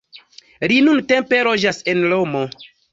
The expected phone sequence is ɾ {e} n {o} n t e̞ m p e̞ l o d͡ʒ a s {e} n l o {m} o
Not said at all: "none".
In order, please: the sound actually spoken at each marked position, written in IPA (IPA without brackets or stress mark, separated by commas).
i, u, e, m